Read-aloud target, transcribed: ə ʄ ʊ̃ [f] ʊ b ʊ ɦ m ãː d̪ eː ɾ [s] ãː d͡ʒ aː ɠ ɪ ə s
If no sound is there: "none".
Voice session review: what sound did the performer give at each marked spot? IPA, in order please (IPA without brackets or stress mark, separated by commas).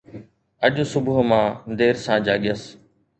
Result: s, s